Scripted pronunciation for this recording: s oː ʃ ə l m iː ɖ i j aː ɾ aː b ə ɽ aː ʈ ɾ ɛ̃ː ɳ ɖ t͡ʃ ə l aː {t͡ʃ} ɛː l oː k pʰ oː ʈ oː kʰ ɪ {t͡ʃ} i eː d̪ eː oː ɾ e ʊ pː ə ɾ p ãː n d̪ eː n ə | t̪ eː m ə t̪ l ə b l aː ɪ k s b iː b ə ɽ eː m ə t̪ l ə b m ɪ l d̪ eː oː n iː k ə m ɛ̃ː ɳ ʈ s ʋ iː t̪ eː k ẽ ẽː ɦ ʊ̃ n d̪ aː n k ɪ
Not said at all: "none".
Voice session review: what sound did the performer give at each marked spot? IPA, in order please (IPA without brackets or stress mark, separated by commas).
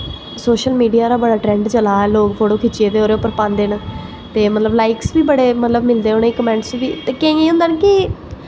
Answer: none, t͡ʃ